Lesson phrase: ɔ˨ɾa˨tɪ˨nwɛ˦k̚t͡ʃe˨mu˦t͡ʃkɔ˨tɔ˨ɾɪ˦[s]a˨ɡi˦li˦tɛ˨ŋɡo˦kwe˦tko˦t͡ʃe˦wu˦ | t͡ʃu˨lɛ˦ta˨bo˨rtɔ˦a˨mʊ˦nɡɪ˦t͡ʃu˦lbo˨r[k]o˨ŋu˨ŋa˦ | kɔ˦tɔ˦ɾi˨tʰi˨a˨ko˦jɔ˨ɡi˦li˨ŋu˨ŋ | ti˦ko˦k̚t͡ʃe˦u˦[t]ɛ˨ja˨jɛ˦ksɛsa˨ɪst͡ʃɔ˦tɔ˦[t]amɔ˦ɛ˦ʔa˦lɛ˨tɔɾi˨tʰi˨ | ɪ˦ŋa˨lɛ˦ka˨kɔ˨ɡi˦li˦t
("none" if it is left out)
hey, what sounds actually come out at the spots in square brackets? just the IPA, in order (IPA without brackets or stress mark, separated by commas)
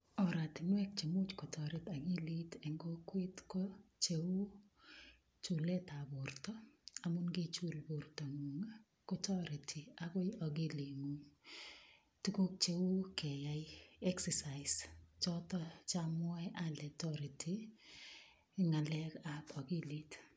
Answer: t, t, k, t͡ʃ